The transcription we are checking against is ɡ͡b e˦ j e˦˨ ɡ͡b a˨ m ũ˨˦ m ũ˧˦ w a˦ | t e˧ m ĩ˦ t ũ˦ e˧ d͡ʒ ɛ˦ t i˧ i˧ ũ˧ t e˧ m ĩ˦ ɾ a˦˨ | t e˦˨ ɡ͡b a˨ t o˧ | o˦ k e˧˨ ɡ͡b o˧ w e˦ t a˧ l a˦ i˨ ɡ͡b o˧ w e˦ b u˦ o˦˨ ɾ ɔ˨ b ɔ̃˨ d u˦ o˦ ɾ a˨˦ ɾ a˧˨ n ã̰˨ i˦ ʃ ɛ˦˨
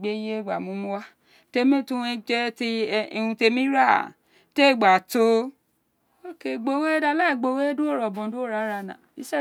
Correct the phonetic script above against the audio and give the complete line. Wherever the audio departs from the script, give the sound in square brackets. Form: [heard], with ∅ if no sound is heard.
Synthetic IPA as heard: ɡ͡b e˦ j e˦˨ ɡ͡b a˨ m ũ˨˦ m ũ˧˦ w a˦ | t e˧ m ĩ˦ t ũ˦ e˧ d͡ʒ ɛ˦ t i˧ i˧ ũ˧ t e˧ m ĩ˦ ɾ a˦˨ | t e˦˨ ɡ͡b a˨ t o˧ | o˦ k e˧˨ ɡ͡b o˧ w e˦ [d] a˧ l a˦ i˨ ɡ͡b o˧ w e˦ [d] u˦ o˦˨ ɾ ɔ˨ b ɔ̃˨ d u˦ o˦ ɾ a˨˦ ɾ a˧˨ n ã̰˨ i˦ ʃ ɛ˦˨